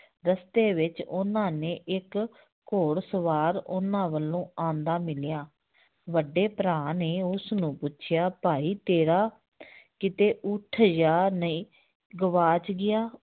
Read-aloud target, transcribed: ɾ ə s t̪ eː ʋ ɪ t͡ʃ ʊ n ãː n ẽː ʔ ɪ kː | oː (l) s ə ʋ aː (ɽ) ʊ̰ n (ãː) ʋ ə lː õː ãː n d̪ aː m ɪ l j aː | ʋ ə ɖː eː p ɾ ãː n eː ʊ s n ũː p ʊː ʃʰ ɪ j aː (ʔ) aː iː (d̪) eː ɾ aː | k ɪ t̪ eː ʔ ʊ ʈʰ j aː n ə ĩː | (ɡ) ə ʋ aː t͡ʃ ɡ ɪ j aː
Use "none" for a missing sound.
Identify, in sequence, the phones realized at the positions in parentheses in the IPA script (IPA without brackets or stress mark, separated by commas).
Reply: ɽ, ɾ, ãː, p, t̪, ɡ